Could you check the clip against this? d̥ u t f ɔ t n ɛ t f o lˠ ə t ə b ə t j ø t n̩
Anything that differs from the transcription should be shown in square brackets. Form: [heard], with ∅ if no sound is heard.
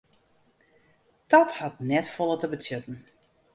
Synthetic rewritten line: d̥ [ɔ] t [h] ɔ t n ɛ t f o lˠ ə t ə b ə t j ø t n̩